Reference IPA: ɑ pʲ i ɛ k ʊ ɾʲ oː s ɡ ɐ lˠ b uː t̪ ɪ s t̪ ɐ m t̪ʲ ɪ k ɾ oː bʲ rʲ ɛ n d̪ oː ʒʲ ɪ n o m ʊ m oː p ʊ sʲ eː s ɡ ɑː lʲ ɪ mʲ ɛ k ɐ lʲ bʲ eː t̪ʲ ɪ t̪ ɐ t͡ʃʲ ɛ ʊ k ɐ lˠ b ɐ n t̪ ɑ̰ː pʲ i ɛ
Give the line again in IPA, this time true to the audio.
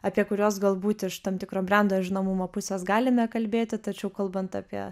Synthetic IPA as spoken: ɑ pʲ i ɛ k ʊ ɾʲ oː s ɡ ɐ lˠ b uː t̪ ɪ ʃ t̪ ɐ m t̪ʲ ɪ k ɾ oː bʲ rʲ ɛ n d̪ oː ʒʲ ɪ n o m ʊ m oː p ʊ sʲ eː s ɡ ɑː lʲ ɪ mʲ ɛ k ɐ lʲ bʲ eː t̪ʲ ɪ t̪ ɐ t͡ʃʲ ɛ ʊ k ɐ lˠ b ɐ n t̪ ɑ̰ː pʲ i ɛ